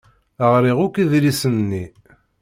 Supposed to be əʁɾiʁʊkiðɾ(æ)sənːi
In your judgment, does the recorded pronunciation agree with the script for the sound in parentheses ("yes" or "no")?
no